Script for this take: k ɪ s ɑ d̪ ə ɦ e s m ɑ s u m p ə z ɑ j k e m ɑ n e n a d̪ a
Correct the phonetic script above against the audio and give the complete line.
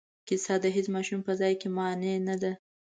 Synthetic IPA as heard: k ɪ s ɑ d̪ ə ɦ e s m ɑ ʃ u m p ə z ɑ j k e m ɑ n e n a d̪ a